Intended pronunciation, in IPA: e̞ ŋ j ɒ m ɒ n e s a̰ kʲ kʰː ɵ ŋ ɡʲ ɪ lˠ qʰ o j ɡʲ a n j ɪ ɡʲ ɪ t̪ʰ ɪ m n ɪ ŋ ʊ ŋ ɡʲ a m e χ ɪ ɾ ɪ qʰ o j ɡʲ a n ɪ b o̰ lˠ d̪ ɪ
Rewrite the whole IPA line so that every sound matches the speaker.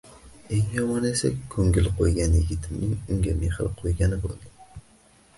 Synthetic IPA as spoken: e̞ ŋ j ɒ m ɒ n e s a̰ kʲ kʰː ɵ ŋ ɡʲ ɪ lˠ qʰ o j ɡʲ a n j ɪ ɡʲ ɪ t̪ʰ ɪ m n ɪ ŋ ʊ ŋ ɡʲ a m e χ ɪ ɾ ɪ qʰ o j ɡʲ a n ɪ b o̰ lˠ d̪ ɪ